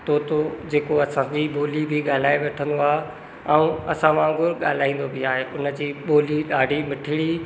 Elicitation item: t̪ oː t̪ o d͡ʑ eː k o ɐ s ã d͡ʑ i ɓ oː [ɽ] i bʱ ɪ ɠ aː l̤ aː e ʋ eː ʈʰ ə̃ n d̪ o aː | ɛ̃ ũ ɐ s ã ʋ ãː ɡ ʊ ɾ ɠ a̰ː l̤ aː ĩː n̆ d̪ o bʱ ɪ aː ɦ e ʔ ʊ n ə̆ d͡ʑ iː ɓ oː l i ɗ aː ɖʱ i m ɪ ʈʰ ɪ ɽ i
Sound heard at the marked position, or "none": l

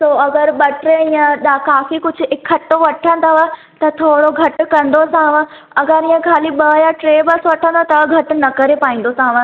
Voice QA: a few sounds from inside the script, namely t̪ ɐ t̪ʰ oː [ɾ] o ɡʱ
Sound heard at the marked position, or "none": ɽ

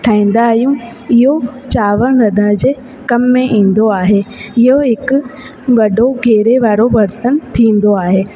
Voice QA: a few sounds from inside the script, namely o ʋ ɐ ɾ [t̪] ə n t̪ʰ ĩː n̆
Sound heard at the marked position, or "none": t̪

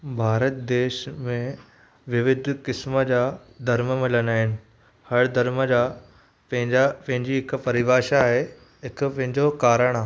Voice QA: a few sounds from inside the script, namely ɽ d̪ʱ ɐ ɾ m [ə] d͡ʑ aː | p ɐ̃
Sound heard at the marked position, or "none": ə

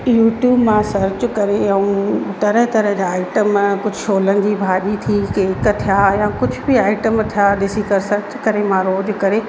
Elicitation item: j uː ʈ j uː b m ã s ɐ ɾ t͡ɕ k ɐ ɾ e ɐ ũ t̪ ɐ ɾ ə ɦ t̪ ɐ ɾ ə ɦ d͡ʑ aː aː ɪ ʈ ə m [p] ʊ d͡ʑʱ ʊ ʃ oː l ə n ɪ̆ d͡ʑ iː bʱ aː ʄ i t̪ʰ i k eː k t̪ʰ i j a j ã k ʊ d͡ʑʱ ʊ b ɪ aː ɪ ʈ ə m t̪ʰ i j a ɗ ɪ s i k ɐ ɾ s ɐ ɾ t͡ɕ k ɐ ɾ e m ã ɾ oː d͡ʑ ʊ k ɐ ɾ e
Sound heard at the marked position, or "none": k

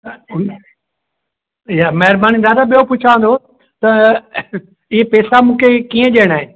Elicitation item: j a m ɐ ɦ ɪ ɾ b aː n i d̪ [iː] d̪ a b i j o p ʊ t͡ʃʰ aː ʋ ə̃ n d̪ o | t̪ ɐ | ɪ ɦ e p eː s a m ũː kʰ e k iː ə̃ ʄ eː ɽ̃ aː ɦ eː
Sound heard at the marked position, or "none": aː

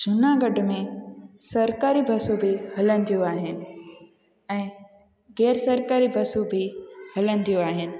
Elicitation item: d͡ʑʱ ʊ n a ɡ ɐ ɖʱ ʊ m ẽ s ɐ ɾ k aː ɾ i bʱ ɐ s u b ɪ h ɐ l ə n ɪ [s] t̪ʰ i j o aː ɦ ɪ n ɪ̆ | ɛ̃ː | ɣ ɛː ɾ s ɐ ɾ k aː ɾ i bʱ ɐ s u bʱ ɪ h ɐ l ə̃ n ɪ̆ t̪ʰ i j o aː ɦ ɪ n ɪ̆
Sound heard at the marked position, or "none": none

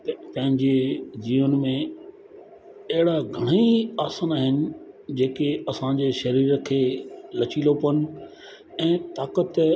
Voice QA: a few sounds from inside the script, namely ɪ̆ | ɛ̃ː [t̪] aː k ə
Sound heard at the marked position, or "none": t̪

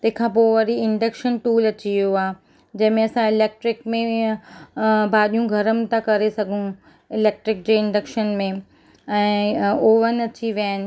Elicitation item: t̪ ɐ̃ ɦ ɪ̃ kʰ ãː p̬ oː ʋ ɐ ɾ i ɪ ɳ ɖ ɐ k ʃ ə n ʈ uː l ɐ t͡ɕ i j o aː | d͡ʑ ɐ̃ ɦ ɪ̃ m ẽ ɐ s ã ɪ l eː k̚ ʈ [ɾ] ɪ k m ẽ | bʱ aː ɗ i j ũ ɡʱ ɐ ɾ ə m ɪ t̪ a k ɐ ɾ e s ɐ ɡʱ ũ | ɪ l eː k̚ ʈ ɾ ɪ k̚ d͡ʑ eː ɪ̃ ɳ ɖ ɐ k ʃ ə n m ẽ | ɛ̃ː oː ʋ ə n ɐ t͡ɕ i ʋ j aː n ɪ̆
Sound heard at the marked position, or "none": ɾ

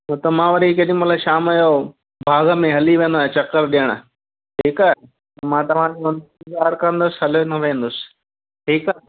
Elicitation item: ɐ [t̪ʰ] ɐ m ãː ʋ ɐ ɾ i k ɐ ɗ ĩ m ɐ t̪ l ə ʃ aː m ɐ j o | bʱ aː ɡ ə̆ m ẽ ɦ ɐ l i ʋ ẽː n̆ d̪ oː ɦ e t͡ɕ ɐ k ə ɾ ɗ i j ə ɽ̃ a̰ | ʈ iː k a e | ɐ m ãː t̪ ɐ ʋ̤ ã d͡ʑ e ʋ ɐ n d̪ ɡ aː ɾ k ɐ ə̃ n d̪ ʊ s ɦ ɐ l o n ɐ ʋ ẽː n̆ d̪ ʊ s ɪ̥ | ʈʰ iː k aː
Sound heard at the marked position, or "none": t̪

